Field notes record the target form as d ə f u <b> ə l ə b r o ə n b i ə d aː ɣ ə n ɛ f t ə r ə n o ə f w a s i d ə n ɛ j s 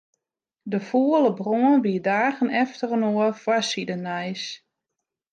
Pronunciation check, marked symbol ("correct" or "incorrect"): incorrect